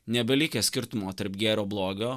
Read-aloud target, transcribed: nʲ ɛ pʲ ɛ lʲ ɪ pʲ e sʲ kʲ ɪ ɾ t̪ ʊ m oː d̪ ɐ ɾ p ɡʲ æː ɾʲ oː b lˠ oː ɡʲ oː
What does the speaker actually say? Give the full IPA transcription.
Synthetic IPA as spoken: nʲ ɛ bʲ ɛ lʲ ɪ kʲ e sʲ kʲ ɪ ɾ t̪ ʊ m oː t̪ ɐ ɾ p ɡʲ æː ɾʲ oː b lˠ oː ɡʲ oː